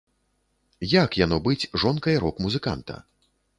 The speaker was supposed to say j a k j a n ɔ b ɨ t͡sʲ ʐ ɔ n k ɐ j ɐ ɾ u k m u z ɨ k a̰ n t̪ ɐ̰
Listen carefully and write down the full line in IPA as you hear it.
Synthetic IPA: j a k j a n ɔ b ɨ t͡sʲ ʐ ɔ n k ɐ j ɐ ɾ ɔ k m u z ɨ k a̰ n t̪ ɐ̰